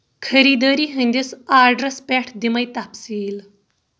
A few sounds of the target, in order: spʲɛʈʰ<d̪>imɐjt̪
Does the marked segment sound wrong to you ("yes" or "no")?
no